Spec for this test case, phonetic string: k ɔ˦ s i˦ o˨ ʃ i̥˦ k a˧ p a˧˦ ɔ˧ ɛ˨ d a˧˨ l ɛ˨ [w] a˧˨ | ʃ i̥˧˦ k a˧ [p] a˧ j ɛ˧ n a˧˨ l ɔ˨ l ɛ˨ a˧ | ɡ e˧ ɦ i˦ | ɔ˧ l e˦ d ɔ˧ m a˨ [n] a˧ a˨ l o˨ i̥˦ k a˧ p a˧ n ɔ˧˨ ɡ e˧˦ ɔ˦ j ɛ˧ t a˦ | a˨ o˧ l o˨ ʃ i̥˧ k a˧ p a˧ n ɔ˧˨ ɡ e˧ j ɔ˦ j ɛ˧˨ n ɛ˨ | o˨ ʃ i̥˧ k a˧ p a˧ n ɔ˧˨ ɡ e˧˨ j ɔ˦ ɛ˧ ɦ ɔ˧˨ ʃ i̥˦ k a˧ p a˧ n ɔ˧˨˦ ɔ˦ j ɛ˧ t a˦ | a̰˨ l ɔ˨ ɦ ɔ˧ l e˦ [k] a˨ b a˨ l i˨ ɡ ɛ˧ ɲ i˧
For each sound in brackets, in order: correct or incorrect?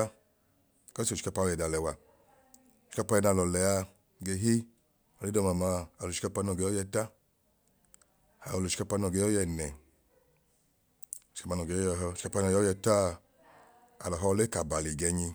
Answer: correct, correct, incorrect: m, correct

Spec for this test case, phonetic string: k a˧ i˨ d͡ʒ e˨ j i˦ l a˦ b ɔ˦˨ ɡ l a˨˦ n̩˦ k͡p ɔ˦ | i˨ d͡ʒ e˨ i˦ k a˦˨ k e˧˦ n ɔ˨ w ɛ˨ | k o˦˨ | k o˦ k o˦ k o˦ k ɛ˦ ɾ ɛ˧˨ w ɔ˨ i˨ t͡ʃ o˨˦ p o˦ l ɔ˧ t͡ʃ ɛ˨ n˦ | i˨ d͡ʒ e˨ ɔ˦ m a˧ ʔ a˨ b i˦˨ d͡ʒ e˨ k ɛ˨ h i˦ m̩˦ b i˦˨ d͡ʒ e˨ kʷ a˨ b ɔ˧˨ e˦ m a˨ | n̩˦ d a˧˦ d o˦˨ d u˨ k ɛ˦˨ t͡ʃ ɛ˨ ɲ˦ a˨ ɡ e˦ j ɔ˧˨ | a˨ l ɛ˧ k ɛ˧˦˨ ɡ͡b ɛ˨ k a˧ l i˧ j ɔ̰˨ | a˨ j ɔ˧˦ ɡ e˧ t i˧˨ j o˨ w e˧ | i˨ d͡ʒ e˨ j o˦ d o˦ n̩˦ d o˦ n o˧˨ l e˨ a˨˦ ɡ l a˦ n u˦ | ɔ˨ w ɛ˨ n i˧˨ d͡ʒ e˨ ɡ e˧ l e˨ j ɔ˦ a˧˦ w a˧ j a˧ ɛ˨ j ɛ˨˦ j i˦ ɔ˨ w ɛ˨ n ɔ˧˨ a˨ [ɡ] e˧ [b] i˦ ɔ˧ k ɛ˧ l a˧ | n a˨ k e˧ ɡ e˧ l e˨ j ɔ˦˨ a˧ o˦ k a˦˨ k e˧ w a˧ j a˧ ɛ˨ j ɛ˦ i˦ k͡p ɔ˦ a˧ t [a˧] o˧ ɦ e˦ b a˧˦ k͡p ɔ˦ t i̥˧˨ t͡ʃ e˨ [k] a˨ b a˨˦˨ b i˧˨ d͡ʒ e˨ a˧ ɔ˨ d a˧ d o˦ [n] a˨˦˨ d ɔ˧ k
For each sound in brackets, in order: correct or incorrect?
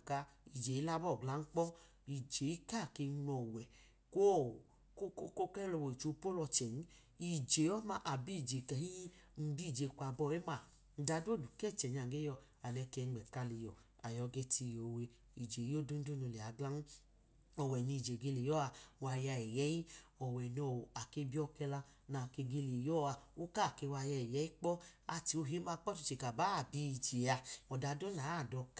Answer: incorrect: k, correct, incorrect: i˧, correct, correct

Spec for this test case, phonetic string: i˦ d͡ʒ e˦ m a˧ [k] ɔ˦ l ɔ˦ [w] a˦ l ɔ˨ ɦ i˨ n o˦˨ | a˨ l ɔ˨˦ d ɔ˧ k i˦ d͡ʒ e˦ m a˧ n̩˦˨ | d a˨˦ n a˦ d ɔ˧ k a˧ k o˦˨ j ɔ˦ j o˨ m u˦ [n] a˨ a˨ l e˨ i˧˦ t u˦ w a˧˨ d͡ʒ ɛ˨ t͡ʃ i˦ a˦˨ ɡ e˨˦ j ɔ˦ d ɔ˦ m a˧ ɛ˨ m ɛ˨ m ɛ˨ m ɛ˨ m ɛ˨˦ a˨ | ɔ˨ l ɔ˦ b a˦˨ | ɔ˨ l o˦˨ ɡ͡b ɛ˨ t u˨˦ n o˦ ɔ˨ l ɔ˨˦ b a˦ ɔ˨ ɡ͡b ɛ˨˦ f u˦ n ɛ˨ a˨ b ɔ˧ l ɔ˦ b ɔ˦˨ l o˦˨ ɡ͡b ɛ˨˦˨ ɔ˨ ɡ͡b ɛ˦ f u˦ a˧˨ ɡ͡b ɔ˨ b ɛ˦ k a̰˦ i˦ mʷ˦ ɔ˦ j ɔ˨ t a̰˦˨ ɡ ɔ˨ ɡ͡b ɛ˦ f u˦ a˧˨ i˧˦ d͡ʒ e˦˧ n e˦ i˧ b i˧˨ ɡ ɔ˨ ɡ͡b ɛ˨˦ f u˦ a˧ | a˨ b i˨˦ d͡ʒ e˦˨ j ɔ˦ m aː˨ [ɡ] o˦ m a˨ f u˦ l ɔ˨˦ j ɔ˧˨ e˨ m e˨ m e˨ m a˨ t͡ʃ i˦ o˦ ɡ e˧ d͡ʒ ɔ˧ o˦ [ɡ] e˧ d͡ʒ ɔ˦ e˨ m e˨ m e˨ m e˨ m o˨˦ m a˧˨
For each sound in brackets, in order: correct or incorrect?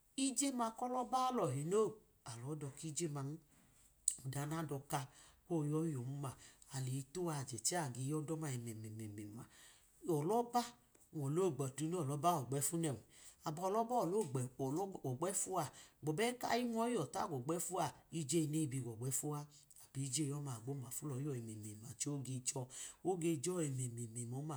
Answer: correct, incorrect: b, incorrect: m, incorrect: ɡ͡b, correct

